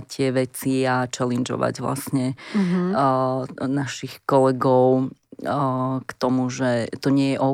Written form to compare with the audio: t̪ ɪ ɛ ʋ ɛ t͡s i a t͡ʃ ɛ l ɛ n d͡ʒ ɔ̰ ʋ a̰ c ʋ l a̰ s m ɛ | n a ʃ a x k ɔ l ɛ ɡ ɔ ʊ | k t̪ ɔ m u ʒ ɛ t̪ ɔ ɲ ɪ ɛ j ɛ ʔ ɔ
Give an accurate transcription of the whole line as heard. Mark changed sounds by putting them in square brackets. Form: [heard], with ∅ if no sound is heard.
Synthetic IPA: t̪ ɪ ɛ ʋ ɛ t͡s i a t͡ʃ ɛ l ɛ n d͡ʒ ɔ̰ ʋ a̰ [ɟ] ʋ l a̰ s [ɲ] ɛ | n a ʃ [i] x k ɔ l ɛ ɡ ɔ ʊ | k t̪ ɔ m u ʒ ɛ t̪ ɔ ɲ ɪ ɛ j ɛ ʔ ɔ